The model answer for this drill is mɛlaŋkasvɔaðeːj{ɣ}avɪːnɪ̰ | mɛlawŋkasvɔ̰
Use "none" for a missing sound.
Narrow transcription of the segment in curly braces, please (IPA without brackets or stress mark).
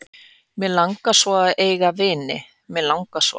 ɣ